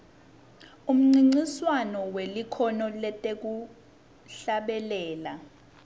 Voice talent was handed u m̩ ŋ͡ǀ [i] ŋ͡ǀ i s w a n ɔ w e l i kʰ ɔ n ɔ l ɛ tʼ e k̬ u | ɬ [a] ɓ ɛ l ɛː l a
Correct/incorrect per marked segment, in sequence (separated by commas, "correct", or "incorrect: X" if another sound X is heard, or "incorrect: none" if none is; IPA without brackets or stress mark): correct, correct